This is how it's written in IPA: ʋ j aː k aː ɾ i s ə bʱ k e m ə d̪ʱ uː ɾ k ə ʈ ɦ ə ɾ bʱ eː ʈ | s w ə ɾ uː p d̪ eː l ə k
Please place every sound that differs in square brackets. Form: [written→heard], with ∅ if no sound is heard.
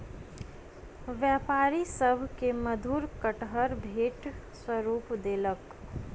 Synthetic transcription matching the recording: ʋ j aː [k→p] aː ɾ i s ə bʱ k e m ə d̪ʱ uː ɾ k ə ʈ ɦ ə ɾ bʱ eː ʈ | s w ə ɾ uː p d̪ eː l ə k